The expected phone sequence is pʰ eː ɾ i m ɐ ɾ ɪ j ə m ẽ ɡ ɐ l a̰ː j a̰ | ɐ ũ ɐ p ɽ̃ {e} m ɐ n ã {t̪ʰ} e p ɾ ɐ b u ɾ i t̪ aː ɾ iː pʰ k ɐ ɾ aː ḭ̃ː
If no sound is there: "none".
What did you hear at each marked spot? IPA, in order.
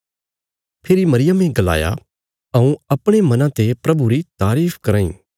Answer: e, t̪

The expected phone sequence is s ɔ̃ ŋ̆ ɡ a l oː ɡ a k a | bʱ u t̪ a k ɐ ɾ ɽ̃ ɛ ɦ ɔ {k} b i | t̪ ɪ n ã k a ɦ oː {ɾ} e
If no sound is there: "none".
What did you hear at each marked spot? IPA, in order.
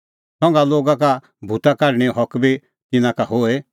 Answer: k, none

